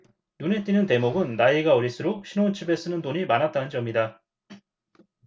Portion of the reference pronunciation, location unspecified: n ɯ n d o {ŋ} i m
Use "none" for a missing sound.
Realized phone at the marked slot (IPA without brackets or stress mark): ɲ